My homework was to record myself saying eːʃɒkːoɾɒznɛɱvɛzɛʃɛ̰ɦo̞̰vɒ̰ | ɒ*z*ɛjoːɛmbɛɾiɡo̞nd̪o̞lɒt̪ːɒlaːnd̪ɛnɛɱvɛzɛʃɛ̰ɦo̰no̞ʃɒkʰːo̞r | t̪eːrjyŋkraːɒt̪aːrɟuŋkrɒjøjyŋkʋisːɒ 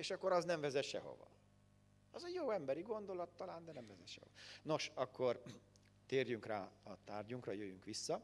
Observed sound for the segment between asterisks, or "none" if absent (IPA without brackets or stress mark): z